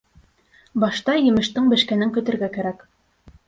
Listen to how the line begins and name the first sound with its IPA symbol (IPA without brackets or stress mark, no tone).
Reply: b